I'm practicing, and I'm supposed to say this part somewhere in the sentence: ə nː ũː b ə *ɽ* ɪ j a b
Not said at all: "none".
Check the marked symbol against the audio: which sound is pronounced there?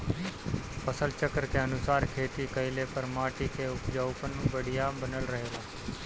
ɽ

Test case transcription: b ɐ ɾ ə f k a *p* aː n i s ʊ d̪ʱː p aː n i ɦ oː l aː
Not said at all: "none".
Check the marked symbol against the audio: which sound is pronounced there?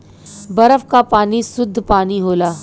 p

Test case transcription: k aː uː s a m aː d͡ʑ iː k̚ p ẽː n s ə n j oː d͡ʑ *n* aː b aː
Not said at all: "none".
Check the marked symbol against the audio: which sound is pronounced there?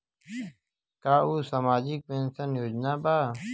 n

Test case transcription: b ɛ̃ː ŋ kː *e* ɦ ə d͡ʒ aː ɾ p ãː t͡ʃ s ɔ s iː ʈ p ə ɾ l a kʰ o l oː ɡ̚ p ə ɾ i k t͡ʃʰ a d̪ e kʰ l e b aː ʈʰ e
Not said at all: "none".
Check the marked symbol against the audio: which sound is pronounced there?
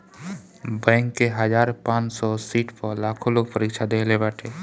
e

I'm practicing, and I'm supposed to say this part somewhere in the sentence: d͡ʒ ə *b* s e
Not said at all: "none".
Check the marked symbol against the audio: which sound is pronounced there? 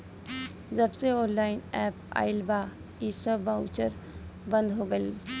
b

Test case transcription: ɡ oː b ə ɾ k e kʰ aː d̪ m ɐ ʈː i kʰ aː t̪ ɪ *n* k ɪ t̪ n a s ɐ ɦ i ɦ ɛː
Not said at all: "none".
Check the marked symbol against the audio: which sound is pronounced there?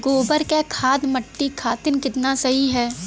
n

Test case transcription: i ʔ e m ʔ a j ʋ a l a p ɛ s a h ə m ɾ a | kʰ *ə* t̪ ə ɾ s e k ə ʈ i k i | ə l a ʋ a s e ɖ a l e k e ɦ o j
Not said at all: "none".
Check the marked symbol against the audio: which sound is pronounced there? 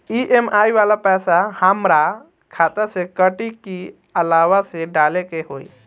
a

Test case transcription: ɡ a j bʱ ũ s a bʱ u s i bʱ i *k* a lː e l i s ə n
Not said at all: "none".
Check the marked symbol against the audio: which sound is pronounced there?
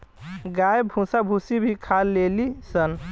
kʰ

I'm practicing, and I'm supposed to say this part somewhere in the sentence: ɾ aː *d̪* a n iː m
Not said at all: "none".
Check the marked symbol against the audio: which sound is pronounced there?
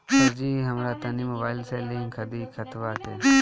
t̪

